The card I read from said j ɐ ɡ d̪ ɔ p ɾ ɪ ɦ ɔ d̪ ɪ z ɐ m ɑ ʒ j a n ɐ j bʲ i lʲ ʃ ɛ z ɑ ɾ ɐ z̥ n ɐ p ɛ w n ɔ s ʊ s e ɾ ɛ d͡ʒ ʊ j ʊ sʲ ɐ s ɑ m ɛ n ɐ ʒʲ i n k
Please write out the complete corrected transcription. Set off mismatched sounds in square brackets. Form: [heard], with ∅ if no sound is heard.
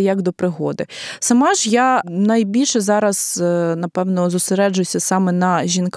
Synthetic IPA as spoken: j ɐ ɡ d̪ ɔ p ɾ ɪ ɦ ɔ d̪ ɪ [s] ɐ m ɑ ʒ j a n ɐ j bʲ i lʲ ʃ ɛ z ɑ ɾ ɐ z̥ n ɐ p ɛ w n ɔ [z] ʊ s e ɾ ɛ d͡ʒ ʊ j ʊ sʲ ɐ s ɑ m ɛ n ɐ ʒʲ i n k